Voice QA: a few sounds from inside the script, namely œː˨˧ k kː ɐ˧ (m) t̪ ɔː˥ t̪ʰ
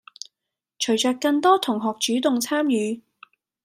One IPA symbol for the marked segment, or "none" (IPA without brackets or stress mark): ŋ